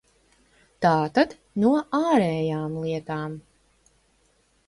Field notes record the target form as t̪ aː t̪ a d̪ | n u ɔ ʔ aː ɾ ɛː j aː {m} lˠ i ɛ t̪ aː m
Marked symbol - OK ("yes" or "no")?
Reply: yes